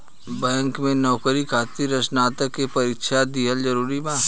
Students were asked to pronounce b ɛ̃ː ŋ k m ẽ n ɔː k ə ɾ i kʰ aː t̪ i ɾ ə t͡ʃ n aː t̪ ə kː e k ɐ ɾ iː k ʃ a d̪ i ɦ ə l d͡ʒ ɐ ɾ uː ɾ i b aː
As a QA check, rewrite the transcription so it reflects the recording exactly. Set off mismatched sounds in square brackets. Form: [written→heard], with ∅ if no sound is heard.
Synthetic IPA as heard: b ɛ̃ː ŋ k m ẽ n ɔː k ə ɾ i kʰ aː t̪ i ɾ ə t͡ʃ n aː t̪ ə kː e [k→p] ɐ ɾ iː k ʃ a d̪ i ɦ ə l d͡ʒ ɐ ɾ uː ɾ i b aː